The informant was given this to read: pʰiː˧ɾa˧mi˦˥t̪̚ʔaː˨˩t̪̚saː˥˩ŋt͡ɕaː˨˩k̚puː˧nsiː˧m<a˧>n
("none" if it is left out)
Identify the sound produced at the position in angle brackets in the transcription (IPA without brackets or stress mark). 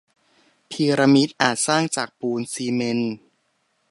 e˧